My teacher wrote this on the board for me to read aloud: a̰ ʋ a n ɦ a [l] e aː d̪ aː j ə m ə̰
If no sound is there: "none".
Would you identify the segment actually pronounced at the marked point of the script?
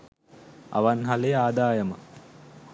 l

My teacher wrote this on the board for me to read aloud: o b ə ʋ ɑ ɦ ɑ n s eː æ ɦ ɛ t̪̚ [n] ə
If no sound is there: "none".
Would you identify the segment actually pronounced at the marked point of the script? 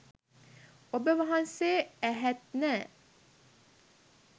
n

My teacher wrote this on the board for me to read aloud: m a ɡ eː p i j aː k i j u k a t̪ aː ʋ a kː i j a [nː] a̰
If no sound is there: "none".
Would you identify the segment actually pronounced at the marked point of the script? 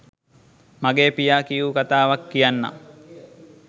nː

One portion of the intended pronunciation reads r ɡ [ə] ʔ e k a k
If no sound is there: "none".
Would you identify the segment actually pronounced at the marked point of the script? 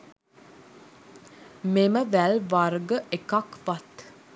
ə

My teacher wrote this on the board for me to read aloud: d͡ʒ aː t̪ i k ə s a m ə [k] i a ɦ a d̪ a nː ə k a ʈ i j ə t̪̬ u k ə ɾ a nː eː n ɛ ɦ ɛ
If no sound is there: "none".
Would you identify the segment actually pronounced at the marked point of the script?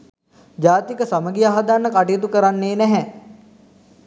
ɡ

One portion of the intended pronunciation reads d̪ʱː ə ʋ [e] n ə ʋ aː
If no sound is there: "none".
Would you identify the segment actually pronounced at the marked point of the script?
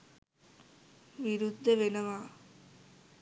e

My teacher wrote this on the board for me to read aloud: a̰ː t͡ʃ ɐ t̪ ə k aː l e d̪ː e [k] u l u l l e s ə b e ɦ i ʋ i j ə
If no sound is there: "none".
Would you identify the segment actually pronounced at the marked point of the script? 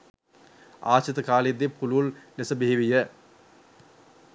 p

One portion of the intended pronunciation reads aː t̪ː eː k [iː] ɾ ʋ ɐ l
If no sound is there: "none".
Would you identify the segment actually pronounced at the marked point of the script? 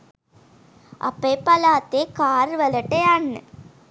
aː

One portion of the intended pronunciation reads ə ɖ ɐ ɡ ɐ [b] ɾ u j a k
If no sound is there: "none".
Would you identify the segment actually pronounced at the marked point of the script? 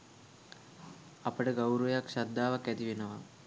w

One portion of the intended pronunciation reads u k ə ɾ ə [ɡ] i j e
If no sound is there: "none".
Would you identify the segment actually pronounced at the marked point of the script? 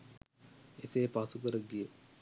ɡ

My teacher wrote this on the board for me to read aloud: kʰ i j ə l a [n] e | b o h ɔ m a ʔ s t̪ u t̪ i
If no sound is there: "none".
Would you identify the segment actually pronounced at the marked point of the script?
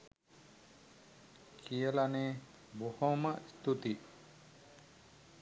n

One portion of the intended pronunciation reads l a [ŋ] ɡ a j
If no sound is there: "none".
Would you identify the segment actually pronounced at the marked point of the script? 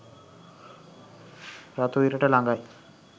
ŋ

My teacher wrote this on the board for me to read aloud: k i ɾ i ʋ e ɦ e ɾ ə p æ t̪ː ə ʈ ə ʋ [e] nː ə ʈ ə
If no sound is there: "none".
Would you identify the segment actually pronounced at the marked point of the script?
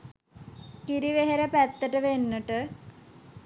e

